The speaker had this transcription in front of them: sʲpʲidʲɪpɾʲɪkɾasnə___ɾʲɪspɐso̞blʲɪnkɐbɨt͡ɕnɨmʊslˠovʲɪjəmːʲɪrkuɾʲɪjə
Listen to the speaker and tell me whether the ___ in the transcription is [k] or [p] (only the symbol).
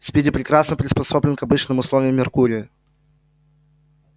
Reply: p